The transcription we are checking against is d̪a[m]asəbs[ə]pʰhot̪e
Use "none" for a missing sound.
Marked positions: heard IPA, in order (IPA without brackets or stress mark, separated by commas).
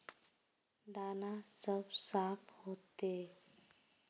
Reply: n, a